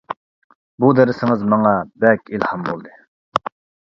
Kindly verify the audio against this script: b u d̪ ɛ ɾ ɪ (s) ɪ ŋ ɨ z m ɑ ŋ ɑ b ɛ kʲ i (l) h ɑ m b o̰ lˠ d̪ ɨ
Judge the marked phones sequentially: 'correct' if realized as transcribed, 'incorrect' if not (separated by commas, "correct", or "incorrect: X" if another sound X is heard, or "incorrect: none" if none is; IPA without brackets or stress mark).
correct, correct